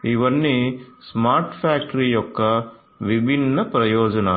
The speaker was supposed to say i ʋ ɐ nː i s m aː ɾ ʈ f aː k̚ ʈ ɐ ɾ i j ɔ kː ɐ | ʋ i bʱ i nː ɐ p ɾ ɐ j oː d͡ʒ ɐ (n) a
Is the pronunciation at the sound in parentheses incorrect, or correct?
correct